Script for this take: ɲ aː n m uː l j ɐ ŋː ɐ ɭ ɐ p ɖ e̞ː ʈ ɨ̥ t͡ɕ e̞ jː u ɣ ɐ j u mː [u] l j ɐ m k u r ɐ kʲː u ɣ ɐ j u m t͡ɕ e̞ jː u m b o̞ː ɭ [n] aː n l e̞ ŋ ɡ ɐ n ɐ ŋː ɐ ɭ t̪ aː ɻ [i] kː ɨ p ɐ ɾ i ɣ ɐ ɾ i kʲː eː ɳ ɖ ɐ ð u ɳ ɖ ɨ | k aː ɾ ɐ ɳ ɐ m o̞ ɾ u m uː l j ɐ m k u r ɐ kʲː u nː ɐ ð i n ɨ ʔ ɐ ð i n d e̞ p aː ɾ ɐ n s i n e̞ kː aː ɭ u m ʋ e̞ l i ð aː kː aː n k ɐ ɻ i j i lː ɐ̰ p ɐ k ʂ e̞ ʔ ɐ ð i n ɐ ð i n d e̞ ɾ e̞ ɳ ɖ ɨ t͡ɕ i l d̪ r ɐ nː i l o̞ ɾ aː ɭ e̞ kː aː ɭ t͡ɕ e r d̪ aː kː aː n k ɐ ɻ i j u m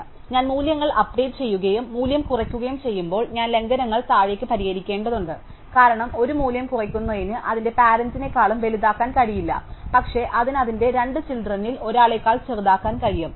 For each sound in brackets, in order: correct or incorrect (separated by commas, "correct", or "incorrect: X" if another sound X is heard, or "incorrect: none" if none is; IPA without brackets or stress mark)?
incorrect: uː, incorrect: ɲ, incorrect: e